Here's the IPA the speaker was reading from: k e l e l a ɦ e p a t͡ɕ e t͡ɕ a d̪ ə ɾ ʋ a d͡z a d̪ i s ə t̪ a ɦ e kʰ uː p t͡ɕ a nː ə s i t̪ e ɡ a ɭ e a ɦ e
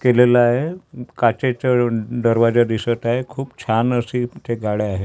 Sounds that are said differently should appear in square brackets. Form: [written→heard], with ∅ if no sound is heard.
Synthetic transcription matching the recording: k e l e l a ɦ e [p→k] a t͡ɕ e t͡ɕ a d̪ ə ɾ ʋ a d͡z a d̪ i s ə t̪ a ɦ e kʰ uː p [t͡ɕ→t͡ɕʰ] a [nː→n] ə s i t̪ e ɡ a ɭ e a ɦ e